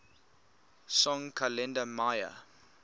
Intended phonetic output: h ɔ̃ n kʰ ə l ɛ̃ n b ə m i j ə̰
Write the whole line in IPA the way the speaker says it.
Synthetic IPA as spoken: s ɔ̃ ŋ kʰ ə l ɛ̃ n d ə m a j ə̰